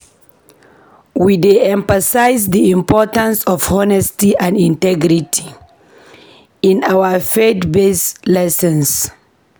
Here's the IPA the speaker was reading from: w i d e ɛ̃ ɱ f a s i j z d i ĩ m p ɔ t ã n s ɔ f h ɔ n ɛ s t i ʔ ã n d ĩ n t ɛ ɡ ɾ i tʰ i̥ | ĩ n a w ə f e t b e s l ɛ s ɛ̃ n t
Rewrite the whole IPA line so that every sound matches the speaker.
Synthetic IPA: w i d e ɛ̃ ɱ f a s a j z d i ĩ m p ɔ t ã n s ɔ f h ɔ n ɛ s t i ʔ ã n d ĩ n t ɛ ɡ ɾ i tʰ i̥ | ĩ n a w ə f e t b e s l ɛ s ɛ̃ n s